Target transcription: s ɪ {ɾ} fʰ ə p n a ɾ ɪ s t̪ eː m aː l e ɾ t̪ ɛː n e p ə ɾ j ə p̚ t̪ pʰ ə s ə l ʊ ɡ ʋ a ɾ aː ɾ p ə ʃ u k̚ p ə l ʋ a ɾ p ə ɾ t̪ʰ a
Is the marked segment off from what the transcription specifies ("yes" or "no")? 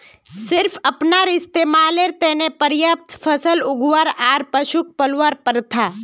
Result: no